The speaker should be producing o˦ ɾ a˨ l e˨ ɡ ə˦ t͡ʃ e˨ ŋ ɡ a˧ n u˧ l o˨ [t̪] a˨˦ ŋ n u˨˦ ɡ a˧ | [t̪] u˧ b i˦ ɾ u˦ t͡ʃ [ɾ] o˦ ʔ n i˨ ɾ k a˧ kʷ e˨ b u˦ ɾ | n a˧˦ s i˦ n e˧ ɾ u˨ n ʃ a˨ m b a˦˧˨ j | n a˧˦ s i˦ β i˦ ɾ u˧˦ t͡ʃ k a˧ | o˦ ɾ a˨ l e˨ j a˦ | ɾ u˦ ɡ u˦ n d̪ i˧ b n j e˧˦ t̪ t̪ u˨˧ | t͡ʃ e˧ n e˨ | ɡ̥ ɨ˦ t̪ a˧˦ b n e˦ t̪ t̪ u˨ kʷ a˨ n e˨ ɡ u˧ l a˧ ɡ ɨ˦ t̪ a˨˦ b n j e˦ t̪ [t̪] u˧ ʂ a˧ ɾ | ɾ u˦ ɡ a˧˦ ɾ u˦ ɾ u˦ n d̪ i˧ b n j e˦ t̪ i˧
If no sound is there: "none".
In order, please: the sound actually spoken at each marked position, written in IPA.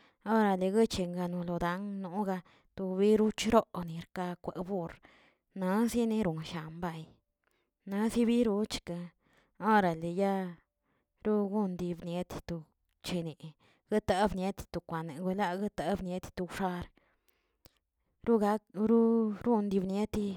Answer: d̪, t̪, ɾ, t̪

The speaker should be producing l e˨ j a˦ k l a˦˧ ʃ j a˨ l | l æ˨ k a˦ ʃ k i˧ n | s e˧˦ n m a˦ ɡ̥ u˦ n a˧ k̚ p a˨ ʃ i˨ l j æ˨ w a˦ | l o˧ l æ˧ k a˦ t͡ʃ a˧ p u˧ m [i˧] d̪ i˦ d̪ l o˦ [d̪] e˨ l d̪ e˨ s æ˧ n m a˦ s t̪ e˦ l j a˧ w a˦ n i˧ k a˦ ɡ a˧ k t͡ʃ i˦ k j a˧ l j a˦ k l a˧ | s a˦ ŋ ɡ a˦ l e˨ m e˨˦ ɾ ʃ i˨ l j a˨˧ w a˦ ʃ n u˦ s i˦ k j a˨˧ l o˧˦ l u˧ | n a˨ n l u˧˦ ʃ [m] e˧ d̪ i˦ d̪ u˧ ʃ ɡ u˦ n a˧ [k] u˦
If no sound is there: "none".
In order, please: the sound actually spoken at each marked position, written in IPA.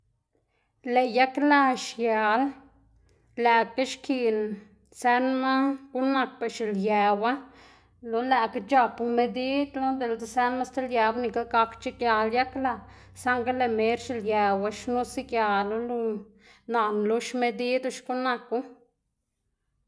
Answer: e˧, d̪, m, k

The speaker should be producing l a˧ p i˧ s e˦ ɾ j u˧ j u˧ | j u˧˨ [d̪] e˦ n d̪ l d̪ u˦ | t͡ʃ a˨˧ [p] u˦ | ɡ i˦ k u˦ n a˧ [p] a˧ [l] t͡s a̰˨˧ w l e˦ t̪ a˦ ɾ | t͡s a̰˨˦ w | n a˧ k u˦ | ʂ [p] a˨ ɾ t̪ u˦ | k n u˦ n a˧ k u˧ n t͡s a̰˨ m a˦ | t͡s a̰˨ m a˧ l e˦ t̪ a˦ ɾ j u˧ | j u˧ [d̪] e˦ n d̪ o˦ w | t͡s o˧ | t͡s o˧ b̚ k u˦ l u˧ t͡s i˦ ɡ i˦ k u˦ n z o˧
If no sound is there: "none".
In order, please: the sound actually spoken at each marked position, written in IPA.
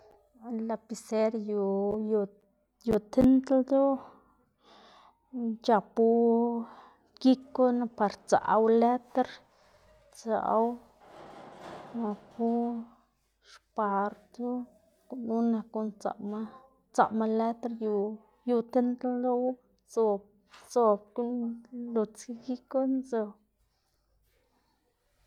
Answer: t̪, p, p, ɾ, p, t̪

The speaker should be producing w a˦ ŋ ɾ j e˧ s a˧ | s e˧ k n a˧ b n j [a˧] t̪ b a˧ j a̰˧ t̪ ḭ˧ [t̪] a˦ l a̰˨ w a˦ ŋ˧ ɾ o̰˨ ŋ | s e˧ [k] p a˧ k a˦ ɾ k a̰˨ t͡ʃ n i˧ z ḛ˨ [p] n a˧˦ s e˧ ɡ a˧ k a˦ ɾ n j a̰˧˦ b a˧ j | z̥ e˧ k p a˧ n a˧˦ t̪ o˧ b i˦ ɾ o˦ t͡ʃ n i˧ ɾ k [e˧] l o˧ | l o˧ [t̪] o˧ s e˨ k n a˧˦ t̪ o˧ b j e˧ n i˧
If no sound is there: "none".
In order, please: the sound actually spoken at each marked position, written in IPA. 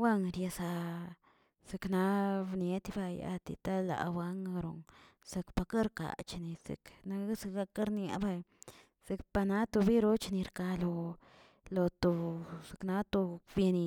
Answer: e˧, t̪, k, k, a˧, t̪

